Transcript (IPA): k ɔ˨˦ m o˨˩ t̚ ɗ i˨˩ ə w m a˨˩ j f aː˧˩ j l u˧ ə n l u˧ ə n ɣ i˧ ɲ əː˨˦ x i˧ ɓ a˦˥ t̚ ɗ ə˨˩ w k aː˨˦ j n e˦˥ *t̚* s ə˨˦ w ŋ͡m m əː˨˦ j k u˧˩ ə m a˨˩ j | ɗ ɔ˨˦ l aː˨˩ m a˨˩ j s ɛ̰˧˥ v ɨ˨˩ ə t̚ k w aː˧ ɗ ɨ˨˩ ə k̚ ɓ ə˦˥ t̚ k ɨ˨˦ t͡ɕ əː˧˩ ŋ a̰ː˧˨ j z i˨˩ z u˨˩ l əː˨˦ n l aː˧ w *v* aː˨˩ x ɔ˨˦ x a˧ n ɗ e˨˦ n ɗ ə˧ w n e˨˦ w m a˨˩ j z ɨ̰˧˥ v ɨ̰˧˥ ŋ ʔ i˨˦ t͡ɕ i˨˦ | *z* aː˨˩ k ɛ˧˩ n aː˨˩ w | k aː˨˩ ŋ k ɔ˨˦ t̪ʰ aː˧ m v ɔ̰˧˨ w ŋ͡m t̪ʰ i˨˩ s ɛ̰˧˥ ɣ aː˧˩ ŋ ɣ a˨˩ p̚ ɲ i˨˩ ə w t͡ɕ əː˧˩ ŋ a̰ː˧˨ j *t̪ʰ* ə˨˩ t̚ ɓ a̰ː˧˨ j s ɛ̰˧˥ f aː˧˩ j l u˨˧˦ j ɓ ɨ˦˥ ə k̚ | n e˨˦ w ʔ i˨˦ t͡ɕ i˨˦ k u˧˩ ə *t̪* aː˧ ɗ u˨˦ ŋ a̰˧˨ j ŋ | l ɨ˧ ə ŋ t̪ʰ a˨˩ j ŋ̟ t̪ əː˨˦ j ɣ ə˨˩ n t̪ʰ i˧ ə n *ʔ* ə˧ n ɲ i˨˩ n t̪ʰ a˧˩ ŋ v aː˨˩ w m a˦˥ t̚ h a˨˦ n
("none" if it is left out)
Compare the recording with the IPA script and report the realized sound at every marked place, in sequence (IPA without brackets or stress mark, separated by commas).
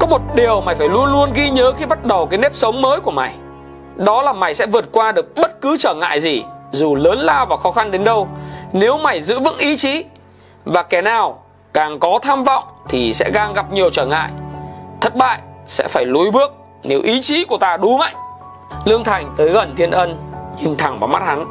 p̚, v, v, t̪ʰ, t̪, ʔ